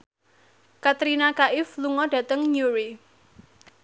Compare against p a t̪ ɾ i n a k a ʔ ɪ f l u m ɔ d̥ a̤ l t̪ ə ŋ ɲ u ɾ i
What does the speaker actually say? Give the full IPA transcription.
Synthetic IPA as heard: k a t̪ ɾ i n a k a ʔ ɪ f l u ŋ ɔ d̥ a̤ t̪ ə ŋ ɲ u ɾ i